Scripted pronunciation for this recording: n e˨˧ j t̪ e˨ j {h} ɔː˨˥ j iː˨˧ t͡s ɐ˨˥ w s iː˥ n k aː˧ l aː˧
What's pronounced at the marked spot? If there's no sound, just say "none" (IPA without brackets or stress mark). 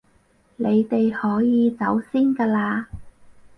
h